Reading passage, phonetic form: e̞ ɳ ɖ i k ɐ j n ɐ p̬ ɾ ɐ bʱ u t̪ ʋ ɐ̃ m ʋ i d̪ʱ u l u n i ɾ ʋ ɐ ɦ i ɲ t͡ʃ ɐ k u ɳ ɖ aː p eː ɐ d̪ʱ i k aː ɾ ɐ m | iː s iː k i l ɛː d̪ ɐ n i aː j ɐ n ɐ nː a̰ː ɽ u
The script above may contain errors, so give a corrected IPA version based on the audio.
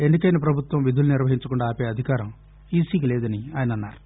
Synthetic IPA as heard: e̞ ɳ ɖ i k ɐ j n ɐ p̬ ɾ ɐ bʱ u t̪ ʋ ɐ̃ m ʋ i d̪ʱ u l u n i ɾ ʋ ɐ ɦ i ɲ t͡ʃ ɐ k u ɳ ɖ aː p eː ɐ d̪ʱ i k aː ɾ ɐ m | iː s iː k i l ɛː d̪ ɐ n i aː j ɐ n ɐ nː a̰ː ɾ u